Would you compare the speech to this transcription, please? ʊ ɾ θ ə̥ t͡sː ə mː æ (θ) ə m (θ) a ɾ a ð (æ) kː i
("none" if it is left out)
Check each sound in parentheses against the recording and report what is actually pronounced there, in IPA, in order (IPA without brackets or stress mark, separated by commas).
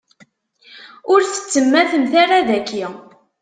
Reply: θ, θ, æ